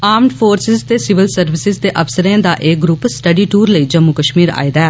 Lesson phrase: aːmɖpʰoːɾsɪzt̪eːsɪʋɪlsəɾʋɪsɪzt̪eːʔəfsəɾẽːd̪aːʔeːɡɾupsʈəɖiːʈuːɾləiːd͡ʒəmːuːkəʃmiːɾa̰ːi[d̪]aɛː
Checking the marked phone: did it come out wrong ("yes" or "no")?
no